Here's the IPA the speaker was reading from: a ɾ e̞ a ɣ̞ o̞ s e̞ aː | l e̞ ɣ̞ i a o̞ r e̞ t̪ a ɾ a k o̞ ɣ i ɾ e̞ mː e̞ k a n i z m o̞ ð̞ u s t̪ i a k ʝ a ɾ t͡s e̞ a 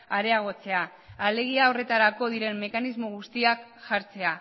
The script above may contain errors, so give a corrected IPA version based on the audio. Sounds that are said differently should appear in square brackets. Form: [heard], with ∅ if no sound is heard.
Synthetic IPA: a ɾ e̞ a ɣ̞ o̞ [t͡s] e̞ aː | l e̞ ɣ̞ i a o̞ r e̞ t̪ a ɾ a k o̞ [ð] i ɾ e̞ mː e̞ k a n i z m o̞ [ɣ̞] u s t̪ i a k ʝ a ɾ t͡s e̞ a